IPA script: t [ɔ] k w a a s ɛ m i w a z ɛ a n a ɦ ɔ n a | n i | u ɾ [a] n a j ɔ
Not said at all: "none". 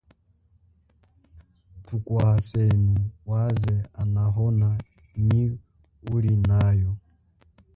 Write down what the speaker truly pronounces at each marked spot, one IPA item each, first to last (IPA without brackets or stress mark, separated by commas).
u, i